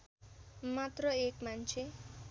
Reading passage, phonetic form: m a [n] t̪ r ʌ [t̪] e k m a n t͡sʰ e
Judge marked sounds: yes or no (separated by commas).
no, no